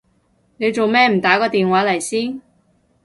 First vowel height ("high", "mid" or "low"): mid